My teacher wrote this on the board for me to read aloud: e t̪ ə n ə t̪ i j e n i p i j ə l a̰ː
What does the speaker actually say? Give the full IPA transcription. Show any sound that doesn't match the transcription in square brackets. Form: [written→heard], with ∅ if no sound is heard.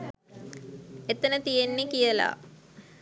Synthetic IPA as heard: e t̪ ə n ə t̪ i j e [n→nː] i [p→k] i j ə l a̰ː